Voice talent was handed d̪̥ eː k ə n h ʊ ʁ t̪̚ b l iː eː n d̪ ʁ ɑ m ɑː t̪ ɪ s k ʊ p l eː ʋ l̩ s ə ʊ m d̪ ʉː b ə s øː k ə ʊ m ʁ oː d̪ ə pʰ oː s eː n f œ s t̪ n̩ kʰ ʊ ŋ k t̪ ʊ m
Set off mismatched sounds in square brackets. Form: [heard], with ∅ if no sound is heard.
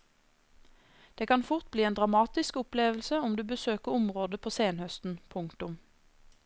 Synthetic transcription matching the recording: d̪̥ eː k [ɑ] n [f] ʊ ʁ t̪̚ b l iː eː n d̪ ʁ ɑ m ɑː t̪ ɪ s k ʊ p l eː ʋ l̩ s ə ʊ m d̪ ʉː b ə s øː k ə ʊ m ʁ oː d̪ ə pʰ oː s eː n [h] œ s t̪ n̩ [pʰ] ʊ ŋ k t̪ ʊ m